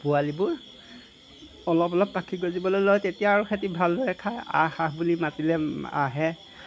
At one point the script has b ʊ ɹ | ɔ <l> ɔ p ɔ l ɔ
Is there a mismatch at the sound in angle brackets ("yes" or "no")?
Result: no